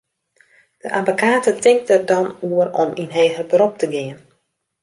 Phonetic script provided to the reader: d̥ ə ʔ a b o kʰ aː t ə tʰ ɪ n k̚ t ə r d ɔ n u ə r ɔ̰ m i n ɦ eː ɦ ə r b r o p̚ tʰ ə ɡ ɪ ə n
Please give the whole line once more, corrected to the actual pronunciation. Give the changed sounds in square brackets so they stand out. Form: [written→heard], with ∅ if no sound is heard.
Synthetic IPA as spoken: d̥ ə ʔ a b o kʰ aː t ə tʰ ɪ [n→ŋ] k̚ t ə r d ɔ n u ə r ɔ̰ m i n ɦ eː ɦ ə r b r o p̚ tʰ ə ɡ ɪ ə n